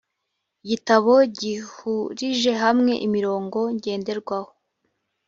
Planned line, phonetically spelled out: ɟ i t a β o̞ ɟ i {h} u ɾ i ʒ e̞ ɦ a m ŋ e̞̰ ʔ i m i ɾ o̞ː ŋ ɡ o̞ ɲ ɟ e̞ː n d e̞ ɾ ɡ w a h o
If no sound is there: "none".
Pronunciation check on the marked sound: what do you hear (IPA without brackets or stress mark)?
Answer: h